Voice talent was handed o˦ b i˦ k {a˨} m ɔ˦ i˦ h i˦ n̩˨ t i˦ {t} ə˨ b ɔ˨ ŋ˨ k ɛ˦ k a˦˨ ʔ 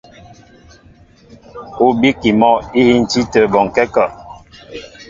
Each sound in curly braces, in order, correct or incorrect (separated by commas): incorrect, correct